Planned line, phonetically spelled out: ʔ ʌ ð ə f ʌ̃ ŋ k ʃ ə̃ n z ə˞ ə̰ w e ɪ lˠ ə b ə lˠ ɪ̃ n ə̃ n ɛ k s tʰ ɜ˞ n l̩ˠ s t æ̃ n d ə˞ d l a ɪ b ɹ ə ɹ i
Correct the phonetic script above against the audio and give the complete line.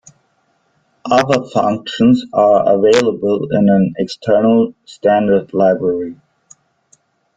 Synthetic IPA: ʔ ʌ ð ə f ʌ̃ ŋ k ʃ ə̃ n z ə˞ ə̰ v e ɪ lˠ ə b ə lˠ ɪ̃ n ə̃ n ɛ k s tʰ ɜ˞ n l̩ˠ s t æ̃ n d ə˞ d l a ɪ b ɹ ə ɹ i